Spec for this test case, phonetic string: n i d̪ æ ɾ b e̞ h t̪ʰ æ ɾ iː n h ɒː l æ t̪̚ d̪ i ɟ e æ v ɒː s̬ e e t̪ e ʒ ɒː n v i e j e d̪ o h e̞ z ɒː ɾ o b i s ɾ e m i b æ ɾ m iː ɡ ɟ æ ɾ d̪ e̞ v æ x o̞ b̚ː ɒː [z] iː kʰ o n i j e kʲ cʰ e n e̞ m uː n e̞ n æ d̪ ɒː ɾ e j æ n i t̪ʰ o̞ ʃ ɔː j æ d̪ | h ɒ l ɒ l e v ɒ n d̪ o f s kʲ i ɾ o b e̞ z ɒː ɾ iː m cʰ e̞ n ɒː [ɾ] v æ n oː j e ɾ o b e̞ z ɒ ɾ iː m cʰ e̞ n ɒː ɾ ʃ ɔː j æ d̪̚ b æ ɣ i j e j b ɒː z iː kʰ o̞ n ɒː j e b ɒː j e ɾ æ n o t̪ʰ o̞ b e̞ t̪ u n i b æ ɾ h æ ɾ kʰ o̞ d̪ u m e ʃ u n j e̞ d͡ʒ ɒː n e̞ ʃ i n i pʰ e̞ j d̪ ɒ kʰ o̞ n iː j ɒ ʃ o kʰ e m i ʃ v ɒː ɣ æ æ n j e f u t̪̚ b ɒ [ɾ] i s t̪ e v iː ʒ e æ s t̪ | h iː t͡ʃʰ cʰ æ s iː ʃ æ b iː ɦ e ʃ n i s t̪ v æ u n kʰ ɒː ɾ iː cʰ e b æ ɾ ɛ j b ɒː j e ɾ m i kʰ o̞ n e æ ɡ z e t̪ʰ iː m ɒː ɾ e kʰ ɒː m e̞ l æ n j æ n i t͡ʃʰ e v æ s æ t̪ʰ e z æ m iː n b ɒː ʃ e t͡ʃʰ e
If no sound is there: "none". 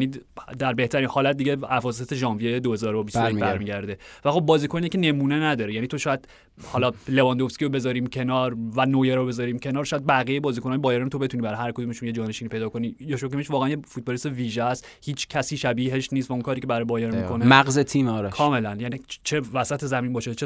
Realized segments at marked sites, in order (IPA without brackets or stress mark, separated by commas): z, ɾ, l